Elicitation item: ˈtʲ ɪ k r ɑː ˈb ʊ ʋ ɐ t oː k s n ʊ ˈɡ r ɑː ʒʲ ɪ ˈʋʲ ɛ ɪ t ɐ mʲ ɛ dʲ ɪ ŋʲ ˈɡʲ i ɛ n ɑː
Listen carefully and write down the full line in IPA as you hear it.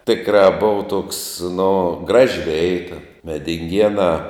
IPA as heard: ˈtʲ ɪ k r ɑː ˈb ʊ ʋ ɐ t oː k s n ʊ ˈɡ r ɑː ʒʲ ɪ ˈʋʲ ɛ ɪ t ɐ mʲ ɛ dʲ ɪ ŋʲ ˈɡʲ i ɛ n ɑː